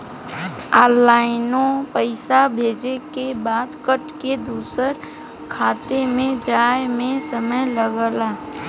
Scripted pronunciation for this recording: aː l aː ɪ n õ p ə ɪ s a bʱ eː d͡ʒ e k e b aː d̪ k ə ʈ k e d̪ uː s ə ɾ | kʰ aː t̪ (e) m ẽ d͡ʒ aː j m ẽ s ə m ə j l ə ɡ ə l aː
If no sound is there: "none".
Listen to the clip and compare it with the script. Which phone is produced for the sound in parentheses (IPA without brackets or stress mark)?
e